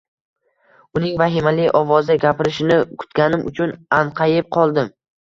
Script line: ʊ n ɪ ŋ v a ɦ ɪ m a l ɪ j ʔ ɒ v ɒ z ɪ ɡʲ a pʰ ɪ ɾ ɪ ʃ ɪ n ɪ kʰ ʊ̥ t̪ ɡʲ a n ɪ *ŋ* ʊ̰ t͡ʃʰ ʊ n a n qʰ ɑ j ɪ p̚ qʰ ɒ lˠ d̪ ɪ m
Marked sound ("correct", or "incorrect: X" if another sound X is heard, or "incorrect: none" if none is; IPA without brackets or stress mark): incorrect: m